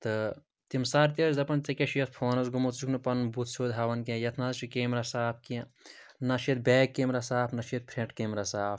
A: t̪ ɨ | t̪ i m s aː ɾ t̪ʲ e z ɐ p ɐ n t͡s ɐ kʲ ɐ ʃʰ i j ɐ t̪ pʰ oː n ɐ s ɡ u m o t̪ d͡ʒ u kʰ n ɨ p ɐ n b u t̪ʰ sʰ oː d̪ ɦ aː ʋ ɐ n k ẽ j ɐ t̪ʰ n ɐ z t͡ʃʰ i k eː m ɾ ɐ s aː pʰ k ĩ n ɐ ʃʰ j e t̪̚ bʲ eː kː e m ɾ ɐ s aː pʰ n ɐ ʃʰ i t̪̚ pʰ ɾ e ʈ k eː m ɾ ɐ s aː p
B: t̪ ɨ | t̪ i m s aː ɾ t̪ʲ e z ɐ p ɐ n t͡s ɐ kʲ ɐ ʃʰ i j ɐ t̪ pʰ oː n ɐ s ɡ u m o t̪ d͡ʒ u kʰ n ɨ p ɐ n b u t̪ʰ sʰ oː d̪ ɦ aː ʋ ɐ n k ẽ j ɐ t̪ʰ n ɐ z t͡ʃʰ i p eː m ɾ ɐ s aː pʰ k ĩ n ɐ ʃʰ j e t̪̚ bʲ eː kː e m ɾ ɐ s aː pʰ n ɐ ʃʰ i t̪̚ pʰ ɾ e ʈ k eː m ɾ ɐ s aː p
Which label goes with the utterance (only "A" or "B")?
A